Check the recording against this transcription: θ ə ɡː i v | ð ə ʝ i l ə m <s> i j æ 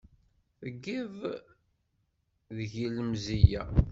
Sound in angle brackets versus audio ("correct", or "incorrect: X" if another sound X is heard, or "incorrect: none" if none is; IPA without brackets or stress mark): incorrect: z